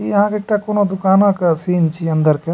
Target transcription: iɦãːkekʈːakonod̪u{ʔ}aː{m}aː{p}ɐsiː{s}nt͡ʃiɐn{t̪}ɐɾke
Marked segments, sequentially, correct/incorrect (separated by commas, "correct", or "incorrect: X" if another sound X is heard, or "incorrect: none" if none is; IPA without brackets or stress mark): incorrect: k, incorrect: n, incorrect: k, incorrect: none, incorrect: d̪